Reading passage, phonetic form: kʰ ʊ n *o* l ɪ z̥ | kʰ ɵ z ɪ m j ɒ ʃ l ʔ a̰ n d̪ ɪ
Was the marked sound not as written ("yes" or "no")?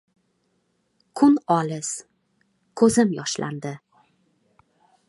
yes